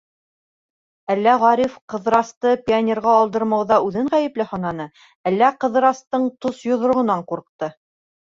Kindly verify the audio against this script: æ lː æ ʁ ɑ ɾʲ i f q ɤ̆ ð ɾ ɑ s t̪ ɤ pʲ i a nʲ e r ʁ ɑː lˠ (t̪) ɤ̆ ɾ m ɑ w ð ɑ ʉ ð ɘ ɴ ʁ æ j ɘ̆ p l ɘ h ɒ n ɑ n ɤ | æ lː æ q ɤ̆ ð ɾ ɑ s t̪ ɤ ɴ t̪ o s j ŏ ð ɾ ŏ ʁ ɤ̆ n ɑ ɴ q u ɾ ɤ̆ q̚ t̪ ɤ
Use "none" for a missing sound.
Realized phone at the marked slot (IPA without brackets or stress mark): d̪